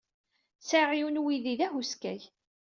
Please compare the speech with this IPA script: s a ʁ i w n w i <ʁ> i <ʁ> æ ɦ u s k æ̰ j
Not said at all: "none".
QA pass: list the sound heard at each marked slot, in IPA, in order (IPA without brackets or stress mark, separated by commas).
ð, ð